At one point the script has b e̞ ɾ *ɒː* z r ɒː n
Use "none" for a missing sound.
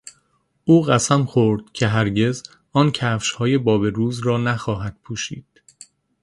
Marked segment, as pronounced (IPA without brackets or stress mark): uː